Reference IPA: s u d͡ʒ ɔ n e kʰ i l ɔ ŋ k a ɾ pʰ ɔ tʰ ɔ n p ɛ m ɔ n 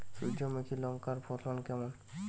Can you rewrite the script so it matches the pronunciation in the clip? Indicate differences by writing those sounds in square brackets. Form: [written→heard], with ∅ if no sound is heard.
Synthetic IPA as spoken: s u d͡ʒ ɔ [n→m] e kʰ i l ɔ ŋ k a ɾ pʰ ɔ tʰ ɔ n [p→k] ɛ m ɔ n